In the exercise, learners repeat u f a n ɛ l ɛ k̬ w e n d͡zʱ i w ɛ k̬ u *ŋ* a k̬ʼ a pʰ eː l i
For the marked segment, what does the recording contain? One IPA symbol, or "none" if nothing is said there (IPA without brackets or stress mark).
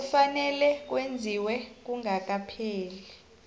ŋ